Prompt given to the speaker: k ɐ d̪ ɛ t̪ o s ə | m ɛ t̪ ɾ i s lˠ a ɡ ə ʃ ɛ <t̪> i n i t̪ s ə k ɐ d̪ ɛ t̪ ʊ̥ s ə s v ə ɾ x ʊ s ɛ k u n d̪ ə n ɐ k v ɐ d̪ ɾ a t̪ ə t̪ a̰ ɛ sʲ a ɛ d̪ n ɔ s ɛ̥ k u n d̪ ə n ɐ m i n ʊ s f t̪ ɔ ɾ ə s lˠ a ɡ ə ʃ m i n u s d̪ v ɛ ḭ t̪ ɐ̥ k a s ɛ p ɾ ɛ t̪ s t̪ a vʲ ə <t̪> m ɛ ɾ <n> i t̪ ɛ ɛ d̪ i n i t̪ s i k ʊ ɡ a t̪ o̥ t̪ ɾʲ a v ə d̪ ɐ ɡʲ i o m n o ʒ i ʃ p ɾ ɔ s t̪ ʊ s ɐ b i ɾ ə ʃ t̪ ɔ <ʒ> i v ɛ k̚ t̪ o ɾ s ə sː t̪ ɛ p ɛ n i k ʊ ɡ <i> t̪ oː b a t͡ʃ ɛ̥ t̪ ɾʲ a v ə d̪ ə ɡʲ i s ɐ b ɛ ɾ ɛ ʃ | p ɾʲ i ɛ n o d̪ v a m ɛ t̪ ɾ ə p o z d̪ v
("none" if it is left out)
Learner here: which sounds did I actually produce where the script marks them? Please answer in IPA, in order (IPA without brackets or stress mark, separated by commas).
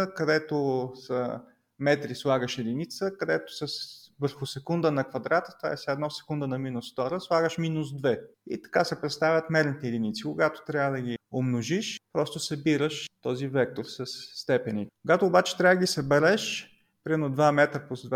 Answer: d̪, t̪, n, z, a